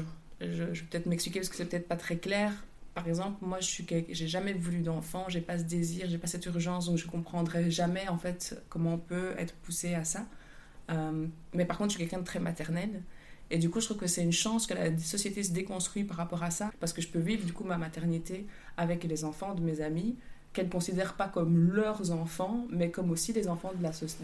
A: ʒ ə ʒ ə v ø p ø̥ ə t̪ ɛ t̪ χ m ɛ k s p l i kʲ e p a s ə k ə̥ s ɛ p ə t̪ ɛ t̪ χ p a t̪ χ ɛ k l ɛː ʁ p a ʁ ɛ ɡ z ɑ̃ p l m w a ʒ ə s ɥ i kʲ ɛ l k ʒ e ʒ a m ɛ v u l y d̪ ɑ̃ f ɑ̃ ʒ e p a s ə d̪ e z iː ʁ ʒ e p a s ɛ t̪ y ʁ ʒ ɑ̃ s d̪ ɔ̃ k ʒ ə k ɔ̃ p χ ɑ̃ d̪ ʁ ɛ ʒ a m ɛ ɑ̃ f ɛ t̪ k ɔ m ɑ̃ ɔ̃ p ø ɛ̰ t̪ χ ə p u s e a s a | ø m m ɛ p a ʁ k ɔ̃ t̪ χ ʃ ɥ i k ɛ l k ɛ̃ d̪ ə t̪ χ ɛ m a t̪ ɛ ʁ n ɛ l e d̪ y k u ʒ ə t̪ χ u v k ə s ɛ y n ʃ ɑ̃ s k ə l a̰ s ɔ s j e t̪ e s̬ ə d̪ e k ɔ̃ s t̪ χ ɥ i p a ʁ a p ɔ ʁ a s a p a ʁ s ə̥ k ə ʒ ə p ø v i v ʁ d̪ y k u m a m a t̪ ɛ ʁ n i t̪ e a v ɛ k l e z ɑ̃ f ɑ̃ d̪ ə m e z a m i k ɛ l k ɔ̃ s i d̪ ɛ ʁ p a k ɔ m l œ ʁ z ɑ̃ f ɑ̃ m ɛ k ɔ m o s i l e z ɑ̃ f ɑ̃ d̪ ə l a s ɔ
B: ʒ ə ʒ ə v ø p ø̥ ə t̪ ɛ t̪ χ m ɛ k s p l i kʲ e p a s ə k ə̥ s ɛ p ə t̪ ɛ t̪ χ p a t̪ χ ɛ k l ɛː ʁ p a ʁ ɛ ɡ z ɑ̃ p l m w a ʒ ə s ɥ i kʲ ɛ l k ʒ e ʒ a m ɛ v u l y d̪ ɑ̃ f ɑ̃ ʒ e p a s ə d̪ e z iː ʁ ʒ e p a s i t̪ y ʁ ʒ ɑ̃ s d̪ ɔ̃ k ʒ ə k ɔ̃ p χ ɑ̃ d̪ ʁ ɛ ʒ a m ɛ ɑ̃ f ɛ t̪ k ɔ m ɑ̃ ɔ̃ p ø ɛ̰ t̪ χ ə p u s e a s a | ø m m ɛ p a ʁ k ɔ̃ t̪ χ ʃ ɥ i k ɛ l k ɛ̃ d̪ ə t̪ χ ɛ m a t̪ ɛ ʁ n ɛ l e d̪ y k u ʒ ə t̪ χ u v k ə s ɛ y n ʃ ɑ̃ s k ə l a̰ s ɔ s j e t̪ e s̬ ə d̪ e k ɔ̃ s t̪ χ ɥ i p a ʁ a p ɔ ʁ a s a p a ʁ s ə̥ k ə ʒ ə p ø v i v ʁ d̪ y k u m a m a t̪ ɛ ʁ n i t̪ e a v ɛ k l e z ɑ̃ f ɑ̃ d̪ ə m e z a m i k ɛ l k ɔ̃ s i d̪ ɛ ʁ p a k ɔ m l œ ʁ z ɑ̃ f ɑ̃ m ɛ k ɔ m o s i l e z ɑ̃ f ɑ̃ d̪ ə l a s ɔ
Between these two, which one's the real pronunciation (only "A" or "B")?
A